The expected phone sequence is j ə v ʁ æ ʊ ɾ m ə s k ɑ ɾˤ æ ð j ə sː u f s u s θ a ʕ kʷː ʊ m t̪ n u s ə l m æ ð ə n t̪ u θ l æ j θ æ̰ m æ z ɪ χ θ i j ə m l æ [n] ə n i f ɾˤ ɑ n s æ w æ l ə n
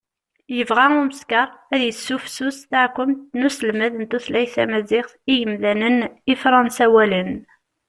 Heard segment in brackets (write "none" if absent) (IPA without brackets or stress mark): n